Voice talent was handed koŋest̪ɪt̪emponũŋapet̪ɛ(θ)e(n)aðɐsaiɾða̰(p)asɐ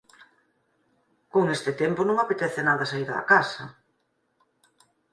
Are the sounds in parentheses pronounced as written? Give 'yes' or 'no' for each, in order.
yes, yes, no

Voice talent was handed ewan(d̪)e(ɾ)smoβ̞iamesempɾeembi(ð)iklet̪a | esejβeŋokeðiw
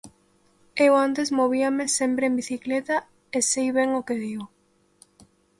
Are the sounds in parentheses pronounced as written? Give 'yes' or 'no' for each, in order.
no, no, no

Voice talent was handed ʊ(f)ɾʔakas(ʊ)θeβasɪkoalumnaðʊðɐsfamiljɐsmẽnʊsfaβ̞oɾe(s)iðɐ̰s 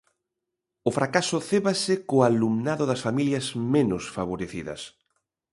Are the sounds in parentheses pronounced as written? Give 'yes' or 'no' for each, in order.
yes, yes, no

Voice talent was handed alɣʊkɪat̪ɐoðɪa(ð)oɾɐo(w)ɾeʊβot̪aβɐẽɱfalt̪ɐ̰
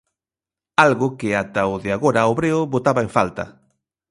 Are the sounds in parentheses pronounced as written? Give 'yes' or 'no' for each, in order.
no, no

